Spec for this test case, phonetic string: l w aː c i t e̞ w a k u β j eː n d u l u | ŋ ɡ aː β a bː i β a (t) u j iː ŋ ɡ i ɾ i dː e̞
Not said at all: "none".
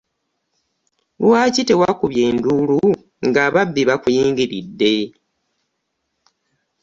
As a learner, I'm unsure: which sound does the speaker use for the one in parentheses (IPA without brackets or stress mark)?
k